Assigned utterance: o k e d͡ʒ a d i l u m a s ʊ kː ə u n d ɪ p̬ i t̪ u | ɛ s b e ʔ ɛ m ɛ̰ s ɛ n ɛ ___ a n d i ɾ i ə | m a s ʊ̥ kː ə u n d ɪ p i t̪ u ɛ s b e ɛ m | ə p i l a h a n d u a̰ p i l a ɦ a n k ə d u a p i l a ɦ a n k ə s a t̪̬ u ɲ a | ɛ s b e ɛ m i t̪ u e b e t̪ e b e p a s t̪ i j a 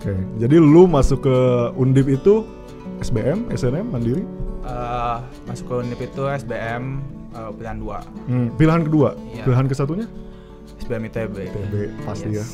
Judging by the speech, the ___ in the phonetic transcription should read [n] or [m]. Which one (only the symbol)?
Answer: m